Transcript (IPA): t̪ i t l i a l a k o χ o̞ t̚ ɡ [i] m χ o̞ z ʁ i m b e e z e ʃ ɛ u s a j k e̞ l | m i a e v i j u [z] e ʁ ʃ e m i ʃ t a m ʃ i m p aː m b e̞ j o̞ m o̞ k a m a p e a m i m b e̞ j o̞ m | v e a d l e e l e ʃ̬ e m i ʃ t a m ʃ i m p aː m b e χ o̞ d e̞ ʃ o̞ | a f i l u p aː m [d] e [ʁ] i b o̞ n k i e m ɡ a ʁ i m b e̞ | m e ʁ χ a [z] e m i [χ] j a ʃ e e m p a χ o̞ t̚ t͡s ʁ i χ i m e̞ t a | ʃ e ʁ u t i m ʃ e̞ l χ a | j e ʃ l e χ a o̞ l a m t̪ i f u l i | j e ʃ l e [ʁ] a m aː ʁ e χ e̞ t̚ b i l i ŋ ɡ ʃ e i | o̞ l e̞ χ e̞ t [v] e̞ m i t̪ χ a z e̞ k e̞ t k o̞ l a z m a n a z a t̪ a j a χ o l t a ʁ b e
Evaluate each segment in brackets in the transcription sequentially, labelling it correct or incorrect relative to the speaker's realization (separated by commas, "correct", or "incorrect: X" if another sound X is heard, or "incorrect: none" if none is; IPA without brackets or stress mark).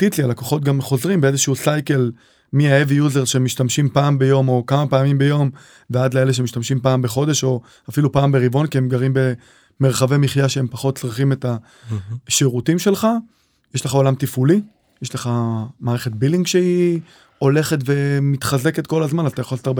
incorrect: a, correct, incorrect: b, correct, incorrect: v, correct, incorrect: χ, correct